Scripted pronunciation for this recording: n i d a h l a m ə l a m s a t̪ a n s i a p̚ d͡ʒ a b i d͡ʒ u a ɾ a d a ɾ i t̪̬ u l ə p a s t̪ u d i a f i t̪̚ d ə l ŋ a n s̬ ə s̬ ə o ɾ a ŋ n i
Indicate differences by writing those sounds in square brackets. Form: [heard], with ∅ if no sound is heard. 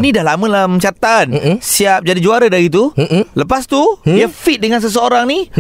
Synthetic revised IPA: n i d a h l a m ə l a m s a t̪ a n s i a p̚ d͡ʒ a [d] i d͡ʒ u a ɾ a d a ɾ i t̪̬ u l ə p a s t̪ u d i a f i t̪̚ d ə [∅] ŋ a n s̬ ə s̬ ə o ɾ a ŋ n i